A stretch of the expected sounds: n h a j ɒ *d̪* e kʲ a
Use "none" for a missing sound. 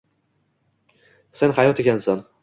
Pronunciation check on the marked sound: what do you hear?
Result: t̪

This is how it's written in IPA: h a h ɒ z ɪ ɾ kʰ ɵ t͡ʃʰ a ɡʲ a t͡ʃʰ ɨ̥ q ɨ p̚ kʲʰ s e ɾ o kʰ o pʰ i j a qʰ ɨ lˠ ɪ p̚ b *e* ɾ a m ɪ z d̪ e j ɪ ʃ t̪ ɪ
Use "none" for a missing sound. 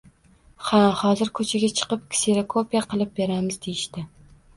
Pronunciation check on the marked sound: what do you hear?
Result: e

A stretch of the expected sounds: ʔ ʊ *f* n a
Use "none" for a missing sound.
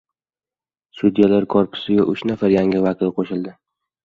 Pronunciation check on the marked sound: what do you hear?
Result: ʃ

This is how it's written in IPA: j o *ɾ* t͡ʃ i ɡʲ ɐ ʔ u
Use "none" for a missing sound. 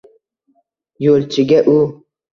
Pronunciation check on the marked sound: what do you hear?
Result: l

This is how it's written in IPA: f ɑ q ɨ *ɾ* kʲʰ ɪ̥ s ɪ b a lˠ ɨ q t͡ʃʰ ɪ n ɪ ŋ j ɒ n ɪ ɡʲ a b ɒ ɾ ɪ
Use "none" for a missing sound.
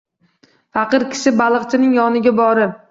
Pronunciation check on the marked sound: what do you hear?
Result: ɾ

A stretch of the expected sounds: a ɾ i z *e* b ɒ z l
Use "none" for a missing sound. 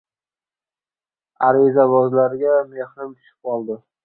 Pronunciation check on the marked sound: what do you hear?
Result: a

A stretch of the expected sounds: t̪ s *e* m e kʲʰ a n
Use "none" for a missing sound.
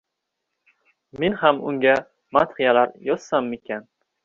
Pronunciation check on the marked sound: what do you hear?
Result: a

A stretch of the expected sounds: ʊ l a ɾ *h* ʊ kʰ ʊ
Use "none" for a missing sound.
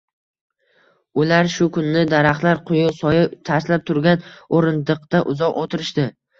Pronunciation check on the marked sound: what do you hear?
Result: ʃ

